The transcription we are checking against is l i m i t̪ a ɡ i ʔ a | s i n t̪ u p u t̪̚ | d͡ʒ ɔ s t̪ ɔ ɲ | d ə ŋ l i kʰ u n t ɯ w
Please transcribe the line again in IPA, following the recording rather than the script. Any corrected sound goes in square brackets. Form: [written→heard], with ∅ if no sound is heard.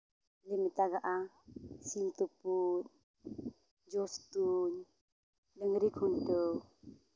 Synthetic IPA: l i m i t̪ a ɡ [i→a] ʔ a | s i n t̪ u p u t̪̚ | d͡ʒ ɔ s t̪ [ɔ→u] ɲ | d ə ŋ [l→ɾ] i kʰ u n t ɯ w